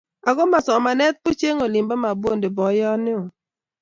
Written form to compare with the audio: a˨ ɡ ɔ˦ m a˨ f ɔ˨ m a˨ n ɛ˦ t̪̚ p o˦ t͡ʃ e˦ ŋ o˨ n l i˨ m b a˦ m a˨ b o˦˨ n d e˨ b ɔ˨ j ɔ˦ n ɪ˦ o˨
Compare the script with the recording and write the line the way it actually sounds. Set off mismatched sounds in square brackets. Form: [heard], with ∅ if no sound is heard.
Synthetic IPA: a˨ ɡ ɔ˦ m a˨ [s] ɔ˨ m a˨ n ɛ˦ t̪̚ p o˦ t͡ʃ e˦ ŋ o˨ [∅] l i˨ m b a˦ m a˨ b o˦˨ n d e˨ b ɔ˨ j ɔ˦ n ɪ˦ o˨